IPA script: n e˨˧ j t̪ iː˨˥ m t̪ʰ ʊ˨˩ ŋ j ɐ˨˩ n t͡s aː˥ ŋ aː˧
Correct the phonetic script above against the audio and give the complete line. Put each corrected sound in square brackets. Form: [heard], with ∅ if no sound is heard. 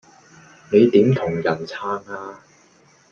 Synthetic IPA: n e˨˧ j t̪ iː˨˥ m t̪ʰ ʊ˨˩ ŋ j ɐ˨˩ n [t͡sʰ] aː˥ ŋ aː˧